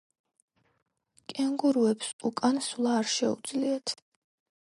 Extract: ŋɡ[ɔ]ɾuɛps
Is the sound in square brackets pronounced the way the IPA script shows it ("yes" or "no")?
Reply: no